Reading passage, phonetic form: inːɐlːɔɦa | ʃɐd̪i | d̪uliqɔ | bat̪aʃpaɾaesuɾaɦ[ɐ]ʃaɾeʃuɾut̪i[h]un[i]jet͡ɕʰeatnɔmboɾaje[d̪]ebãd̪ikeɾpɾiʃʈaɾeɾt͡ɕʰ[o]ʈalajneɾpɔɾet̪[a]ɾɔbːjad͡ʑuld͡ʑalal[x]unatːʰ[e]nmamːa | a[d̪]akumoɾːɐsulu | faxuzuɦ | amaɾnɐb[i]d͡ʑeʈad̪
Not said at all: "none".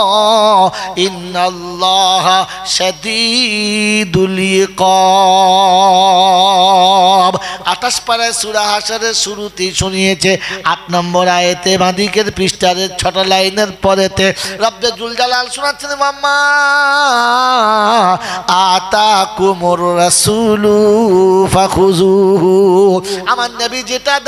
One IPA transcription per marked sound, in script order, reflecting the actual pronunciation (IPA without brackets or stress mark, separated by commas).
a, ʃ, i, t̪, ɔ, e, ʃ, e, t̪, i